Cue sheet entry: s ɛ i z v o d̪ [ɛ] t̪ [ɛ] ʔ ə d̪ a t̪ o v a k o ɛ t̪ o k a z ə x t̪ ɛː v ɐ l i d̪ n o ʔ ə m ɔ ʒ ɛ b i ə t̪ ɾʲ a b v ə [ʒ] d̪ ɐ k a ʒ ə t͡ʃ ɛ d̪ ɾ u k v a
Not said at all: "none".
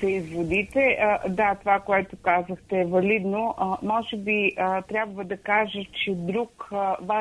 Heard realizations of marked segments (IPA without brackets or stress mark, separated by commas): i, ɛ, none